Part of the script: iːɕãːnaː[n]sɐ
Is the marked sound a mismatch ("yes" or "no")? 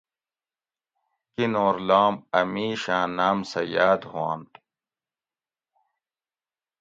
yes